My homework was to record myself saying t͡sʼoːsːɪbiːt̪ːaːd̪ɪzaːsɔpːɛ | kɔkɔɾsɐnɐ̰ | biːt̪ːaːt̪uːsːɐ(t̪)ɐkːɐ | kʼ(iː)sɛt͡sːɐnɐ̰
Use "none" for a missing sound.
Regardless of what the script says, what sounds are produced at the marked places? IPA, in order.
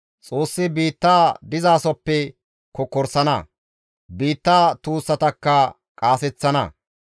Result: t̪, aː

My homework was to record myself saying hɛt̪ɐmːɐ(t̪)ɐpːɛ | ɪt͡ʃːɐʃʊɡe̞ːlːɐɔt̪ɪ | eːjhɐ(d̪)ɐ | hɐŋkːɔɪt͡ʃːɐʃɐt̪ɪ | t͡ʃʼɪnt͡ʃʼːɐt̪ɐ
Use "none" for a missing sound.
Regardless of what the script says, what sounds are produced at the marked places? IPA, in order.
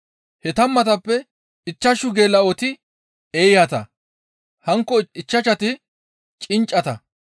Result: t̪, t̪

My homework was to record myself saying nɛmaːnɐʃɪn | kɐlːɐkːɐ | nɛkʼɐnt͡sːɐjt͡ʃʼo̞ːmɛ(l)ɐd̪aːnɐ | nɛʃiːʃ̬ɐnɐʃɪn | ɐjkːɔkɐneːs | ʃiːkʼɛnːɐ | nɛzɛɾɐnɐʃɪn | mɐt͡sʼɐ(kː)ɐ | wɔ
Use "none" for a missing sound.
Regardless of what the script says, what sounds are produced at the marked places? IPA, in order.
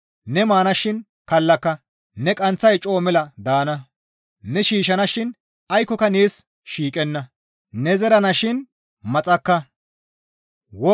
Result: l, kː

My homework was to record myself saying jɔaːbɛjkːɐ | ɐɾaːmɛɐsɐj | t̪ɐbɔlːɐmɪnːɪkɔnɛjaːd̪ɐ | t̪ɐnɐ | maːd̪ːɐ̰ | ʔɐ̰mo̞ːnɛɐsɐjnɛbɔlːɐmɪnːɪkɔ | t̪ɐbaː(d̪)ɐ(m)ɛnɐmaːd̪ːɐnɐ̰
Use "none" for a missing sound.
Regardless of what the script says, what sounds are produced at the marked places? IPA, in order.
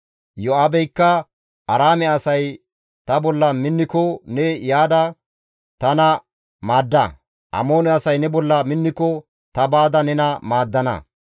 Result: d̪, n

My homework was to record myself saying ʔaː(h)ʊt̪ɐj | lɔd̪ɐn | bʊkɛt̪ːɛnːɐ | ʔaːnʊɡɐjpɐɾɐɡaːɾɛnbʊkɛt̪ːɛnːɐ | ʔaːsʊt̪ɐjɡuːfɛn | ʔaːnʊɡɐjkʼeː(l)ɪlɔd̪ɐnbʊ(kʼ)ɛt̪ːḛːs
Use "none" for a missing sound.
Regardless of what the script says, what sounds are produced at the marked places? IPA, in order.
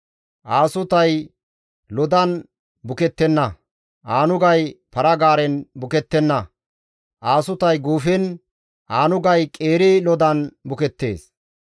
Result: s, ɾ, k

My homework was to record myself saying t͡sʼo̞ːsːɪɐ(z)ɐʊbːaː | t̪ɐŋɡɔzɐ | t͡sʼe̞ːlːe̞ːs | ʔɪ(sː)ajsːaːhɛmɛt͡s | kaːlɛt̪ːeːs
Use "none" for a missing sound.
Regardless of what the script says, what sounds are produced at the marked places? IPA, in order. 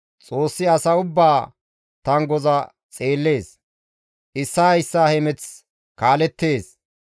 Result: s, sː

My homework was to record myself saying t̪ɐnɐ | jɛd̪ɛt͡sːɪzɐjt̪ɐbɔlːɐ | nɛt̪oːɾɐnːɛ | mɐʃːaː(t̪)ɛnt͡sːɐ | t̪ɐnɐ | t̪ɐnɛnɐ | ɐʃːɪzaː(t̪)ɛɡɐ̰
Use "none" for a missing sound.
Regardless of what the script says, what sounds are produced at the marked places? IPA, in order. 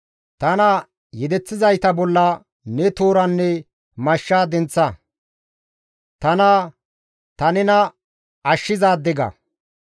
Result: d̪, d̪

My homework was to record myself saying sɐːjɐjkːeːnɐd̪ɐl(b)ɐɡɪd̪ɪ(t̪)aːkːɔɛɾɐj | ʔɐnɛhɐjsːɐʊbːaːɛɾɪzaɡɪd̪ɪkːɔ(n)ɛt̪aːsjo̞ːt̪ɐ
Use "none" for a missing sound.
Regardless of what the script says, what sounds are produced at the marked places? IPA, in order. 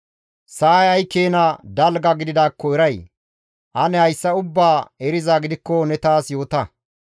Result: ɡ, d̪, n

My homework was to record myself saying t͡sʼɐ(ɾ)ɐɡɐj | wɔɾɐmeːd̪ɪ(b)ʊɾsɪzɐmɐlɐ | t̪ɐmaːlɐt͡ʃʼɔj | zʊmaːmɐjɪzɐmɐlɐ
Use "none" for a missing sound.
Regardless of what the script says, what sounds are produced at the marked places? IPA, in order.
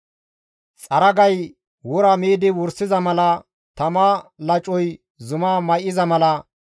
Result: ɾ, w

